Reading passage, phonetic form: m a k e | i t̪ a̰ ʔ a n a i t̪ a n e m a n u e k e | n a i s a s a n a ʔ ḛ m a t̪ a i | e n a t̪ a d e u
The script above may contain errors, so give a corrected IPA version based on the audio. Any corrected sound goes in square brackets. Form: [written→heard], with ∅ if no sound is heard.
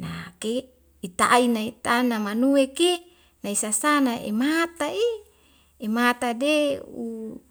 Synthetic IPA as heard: [m→n] a k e | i t̪ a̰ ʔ [a→i] n a i t̪ a n [e→a] m a n u e k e | n a i s a s a n a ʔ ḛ m a t̪ a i | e [n→m] a t̪ a d e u